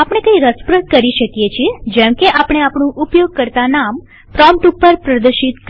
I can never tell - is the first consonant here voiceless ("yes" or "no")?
yes